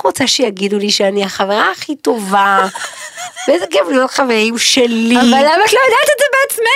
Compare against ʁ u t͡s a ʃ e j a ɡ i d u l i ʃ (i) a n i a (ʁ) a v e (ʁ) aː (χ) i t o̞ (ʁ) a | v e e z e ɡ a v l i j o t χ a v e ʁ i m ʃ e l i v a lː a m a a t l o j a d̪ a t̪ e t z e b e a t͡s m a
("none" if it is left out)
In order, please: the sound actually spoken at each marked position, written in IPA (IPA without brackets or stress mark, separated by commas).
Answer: e, χ, ʁ, χ, v